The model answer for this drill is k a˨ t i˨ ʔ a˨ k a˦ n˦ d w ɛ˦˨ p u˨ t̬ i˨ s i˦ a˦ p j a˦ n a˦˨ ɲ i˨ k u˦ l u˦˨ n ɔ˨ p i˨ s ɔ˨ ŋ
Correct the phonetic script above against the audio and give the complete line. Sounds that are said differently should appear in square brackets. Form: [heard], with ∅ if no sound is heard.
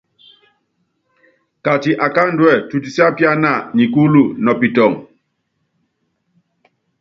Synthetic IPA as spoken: k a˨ t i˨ ʔ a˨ k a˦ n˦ d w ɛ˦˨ [t] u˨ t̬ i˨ s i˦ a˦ p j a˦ n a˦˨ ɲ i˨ k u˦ l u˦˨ n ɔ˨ p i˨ [t] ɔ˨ ŋ